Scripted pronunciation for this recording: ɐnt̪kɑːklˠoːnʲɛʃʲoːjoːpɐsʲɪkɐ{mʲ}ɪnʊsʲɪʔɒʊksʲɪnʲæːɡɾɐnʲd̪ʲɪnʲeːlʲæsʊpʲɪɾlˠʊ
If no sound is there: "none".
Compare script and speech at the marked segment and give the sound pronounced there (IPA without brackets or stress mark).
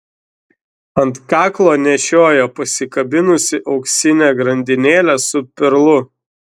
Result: bʲ